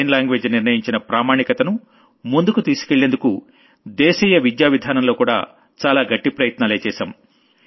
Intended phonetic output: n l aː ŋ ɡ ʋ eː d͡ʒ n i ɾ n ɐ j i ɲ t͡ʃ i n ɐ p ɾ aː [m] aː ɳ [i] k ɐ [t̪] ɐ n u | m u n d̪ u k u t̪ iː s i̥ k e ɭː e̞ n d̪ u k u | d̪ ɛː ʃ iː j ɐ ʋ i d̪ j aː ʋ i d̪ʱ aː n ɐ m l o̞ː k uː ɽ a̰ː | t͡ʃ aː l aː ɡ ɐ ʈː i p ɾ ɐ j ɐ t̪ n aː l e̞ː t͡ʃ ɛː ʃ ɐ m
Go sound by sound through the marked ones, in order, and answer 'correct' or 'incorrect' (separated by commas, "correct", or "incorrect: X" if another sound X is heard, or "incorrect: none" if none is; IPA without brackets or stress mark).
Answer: correct, correct, correct